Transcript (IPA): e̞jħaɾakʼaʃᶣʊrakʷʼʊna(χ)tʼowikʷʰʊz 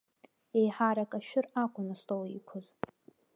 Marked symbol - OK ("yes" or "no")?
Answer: no